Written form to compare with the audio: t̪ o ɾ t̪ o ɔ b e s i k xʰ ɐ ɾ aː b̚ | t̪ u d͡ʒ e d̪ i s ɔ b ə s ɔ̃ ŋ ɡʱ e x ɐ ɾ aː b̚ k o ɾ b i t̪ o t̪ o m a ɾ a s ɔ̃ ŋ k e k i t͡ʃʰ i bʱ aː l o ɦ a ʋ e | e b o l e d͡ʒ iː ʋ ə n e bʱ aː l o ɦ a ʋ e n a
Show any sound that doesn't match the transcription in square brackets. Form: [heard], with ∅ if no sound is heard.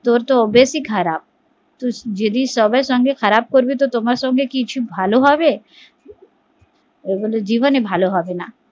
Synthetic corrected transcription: t̪ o ɾ t̪ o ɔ b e s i k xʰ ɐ ɾ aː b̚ | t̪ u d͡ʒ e d̪ i s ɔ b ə s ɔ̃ ŋ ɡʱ e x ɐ ɾ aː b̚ k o ɾ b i t̪ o t̪ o m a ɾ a s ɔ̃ ŋ [ɡ] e k i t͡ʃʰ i bʱ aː l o ɦ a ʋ e | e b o l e d͡ʒ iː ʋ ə n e bʱ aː l o ɦ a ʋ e n a